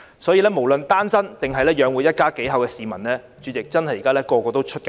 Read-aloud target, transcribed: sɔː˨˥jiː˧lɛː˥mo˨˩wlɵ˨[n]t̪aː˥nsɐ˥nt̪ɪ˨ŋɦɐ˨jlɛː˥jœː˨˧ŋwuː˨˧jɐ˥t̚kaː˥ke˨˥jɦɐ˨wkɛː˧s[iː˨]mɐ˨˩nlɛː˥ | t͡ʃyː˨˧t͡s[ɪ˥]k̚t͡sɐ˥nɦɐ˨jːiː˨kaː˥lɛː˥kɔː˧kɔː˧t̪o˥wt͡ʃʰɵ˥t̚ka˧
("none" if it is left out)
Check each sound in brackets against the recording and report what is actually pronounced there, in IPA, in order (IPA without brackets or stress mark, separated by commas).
n, iː˨, ɪ˨